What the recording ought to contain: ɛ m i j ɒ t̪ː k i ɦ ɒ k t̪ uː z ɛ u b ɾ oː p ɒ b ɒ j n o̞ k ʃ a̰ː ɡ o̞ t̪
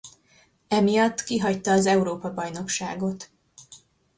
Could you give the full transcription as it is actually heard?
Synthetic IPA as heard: ɛ m i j ɒ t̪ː k i ɦ ɒ c t̪ ɒː z ɛ u ɾ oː p ɒ b ɒ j n o̞ k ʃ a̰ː ɡ o̞ t̪